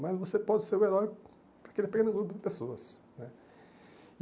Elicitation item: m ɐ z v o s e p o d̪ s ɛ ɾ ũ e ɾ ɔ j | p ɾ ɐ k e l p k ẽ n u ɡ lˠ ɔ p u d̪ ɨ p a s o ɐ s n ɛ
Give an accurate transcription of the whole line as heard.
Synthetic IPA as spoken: m ɐ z v o s e p ɔ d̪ s e ɾ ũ e ɾ ɔ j | p ɾ ɐ k e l p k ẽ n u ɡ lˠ u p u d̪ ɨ p e s o ɐ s n ɛ